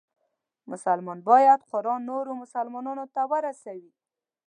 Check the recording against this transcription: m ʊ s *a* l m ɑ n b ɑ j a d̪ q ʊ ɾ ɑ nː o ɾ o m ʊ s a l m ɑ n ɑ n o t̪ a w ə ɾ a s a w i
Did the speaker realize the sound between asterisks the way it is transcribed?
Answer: yes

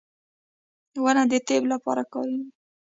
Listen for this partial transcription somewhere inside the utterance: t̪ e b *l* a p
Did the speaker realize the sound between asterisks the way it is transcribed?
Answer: yes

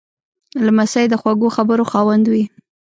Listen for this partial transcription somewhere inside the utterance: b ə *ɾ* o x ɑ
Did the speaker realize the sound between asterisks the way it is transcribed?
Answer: yes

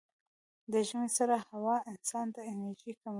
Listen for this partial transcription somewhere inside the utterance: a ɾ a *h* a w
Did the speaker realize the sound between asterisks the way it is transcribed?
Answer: yes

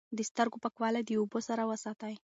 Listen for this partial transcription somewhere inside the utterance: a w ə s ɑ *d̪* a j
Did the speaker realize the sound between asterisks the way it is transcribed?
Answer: no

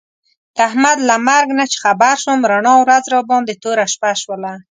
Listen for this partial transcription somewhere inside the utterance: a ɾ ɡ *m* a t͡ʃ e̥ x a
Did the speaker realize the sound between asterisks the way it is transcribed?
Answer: no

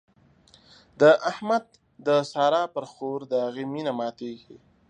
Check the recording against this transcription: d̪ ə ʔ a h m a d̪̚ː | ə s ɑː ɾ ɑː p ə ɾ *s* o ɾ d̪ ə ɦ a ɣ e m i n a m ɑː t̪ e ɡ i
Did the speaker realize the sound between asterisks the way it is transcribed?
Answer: no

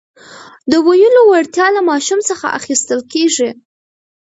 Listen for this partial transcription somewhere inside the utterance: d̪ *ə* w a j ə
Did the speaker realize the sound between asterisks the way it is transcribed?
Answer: yes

